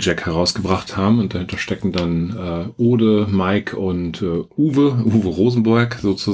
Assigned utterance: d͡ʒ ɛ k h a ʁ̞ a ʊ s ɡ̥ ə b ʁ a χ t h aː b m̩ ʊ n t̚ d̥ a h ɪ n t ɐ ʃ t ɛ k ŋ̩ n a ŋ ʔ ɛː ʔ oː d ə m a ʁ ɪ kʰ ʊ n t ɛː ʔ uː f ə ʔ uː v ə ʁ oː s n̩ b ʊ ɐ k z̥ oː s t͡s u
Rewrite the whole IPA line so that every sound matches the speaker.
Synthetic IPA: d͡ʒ ɛ k h ɛ ʁ̞ a ʊ s ɡ̥ ə b ʁ a χ t h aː b m̩ ʊ n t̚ d̥ a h ɪ n t ɐ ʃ t ɛ k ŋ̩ d a n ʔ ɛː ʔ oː d ə m a ɪ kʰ ʊ n t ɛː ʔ uː v ə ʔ uː v ə ʁ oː z n̩ b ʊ ɐ k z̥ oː t͡s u